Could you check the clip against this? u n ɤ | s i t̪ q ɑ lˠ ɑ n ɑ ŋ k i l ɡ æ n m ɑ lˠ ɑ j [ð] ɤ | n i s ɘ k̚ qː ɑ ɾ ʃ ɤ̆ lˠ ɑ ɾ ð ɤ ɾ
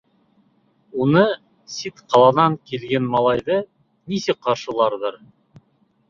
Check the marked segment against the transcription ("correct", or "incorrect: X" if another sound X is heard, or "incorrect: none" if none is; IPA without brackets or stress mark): correct